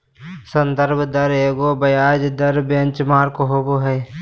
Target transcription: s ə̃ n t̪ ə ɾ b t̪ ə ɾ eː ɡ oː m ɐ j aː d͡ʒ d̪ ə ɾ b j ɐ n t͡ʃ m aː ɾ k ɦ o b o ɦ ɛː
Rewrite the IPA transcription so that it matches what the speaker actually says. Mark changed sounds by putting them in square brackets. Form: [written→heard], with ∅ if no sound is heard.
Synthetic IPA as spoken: s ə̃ n [t̪→d̪] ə ɾ b [t̪→d̪] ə ɾ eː ɡ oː [m→b] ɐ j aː d͡ʒ d̪ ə ɾ b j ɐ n t͡ʃ m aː ɾ k ɦ o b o ɦ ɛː